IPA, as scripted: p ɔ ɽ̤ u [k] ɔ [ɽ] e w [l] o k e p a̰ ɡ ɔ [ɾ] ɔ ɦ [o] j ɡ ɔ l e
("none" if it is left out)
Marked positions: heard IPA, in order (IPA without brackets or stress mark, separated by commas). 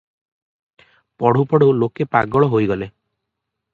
p, ɽ, l, ɭ, o